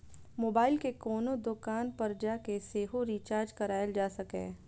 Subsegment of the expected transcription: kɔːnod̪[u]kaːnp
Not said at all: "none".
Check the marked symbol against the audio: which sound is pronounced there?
ʊ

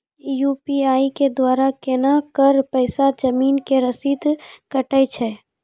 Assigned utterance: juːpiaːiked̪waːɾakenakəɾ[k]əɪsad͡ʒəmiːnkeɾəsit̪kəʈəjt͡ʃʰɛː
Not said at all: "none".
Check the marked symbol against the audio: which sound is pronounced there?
p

